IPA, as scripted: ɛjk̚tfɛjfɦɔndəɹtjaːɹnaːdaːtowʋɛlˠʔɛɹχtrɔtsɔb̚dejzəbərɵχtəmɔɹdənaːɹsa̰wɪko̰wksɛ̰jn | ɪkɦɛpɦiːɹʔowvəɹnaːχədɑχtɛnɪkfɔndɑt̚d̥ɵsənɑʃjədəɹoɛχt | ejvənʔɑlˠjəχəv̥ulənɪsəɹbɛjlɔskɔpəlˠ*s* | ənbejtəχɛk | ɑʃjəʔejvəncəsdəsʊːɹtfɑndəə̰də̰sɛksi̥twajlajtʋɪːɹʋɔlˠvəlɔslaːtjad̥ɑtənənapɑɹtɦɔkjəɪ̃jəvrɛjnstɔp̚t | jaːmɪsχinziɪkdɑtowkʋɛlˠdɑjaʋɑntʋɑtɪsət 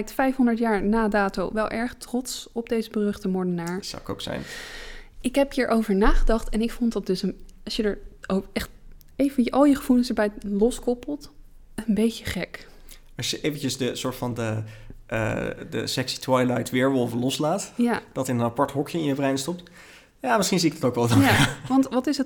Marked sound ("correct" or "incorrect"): incorrect